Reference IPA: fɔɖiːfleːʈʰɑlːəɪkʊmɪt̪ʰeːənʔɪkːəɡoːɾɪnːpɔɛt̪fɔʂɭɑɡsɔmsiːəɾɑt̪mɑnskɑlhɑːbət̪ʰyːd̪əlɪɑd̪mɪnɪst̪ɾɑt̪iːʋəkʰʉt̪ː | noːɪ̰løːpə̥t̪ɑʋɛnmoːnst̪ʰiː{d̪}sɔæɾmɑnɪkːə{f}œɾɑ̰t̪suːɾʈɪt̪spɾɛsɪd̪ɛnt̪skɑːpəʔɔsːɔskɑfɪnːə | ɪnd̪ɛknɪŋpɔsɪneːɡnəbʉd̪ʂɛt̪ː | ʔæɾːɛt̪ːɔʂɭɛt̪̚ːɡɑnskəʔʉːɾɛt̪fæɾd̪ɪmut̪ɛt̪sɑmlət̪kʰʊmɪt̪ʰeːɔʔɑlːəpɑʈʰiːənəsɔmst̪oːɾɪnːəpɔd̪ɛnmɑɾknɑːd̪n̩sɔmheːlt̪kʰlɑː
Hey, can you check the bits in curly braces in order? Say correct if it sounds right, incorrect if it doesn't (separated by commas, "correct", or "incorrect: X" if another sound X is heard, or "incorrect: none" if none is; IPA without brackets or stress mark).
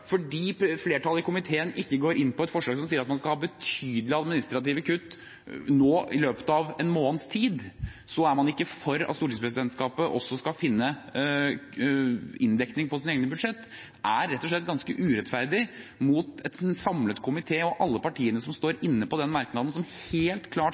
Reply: correct, correct